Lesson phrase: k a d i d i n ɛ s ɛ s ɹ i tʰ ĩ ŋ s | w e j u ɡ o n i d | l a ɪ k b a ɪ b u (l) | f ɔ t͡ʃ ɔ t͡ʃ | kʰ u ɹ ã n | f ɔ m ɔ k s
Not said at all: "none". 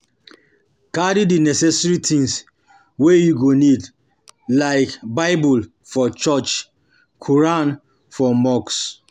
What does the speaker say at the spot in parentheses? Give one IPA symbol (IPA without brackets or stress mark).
l